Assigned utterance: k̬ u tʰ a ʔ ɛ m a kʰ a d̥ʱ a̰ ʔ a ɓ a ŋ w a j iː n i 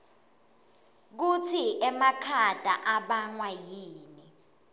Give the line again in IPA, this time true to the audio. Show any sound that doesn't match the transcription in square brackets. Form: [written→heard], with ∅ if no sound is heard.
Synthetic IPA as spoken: k̬ u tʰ [a→i] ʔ ɛ m a kʰ a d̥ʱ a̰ ʔ a ɓ a ŋ w a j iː n i

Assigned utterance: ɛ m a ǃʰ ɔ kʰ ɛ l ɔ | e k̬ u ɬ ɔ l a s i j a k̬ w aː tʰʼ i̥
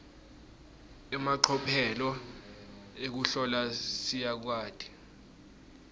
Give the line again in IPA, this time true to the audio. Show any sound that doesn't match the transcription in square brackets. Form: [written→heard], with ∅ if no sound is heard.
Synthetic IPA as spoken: ɛ m a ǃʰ ɔ [kʰ→pʰ] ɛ l ɔ | e k̬ u ɬ ɔ l a s i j a k̬ w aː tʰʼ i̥

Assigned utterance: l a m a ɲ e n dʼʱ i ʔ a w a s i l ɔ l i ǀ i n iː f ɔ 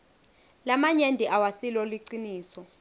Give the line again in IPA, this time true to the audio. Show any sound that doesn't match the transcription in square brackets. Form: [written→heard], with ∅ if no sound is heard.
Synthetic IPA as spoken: l a m a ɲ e n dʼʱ i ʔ a w a s i l ɔ l i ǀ i n iː [f→s] ɔ

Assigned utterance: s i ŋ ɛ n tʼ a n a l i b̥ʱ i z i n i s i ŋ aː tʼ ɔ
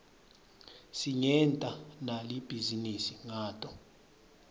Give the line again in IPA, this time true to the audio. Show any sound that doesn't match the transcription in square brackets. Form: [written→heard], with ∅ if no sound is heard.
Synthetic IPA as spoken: s i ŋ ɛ n tʼ a n a l i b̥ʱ i z i n i s i ŋ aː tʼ ɔ

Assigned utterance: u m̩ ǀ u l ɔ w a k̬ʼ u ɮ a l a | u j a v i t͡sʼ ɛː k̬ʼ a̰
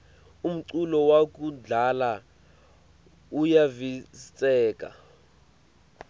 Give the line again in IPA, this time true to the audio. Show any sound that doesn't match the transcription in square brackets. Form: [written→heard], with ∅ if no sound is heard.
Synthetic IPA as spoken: u m̩ ǀ u l ɔ w a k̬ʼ u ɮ a l a | u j a v i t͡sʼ ɛː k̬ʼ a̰

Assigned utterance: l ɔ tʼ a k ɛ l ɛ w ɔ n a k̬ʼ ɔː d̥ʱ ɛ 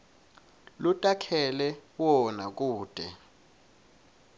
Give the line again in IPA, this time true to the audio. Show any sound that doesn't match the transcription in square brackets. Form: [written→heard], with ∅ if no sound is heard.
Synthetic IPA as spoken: l [ɔ→u] tʼ a [k→kʰ] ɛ l ɛ w ɔ n a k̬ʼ [ɔː→uː] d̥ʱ ɛ

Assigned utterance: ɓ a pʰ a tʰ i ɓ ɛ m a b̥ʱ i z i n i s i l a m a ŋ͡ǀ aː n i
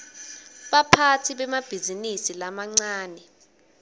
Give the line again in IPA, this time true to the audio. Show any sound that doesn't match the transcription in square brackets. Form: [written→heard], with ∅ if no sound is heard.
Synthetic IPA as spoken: ɓ a pʰ a tʰ i ɓ ɛ m a b̥ʱ i z i n i s i l a m a ŋ͡ǀ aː n [i→ɛ]

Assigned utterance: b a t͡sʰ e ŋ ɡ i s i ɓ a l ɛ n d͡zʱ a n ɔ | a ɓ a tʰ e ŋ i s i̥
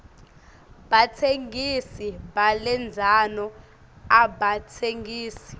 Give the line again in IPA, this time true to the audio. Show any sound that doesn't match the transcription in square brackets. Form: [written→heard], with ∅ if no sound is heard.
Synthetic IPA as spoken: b a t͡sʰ e ŋ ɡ i s i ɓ a l ɛ n d͡zʱ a n ɔ | a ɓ a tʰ e ŋ [i→iː] s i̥

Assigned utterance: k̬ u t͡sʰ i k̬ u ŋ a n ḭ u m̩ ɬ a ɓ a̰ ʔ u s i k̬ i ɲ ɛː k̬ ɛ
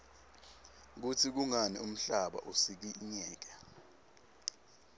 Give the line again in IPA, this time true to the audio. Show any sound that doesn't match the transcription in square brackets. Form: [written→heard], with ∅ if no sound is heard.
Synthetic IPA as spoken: k̬ u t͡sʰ i k̬ u ŋ a n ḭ u m̩ ɬ a ɓ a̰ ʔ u s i k̬ i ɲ ɛː k̬ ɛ

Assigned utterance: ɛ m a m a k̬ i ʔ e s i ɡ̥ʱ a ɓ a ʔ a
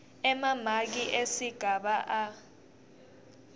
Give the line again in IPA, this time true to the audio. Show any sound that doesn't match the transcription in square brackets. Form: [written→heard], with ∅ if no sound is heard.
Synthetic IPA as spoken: ɛ m a m a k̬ i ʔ e s i ɡ̥ʱ a ɓ a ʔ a

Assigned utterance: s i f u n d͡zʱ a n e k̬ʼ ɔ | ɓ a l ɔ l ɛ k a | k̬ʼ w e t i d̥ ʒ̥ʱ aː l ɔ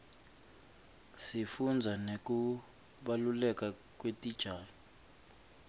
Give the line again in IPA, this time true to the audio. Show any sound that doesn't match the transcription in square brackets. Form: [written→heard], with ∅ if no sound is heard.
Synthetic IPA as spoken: s i f u n d͡zʱ a n e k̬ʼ [ɔ→u] | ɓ a l [ɔ→u] l ɛ k a | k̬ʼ w e t i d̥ ʒ̥ʱ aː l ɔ

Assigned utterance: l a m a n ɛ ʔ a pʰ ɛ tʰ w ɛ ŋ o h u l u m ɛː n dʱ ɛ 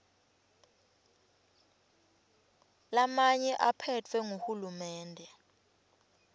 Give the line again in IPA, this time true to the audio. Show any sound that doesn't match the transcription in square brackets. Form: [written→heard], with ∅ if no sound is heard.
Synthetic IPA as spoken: l a m a [n→ɲ] ɛ ʔ a pʰ ɛ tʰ w ɛ ŋ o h u l u m ɛː n dʱ ɛ

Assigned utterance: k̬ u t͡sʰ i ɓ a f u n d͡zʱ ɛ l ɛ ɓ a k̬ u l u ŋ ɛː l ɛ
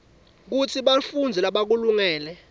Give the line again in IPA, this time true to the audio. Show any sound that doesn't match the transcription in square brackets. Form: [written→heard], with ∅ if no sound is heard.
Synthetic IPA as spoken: k̬ u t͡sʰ i ɓ a f u n d͡zʱ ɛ l [ɛ→a] ɓ a k̬ u l u ŋ ɛː l ɛ

